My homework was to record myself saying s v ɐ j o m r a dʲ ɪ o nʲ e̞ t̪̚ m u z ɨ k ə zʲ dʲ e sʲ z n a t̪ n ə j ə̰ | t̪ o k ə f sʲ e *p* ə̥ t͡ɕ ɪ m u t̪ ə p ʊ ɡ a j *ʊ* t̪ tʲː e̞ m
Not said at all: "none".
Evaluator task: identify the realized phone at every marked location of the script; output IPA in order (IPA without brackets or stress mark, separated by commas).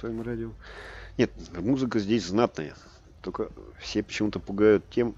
p, ʊ